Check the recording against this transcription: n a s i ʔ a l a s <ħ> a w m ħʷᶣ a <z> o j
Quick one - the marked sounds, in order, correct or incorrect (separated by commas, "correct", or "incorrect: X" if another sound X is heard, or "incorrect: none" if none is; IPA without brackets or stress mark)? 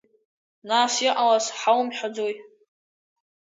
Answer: correct, incorrect: d͡z